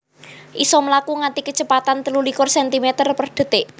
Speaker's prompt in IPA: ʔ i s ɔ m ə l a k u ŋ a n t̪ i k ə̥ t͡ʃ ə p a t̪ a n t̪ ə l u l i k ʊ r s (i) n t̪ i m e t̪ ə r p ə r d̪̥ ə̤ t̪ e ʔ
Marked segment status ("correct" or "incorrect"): incorrect